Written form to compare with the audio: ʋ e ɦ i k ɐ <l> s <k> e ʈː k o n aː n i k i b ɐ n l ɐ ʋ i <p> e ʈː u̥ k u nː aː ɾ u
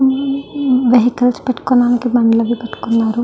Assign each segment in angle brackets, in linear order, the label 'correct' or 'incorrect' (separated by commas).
correct, incorrect, correct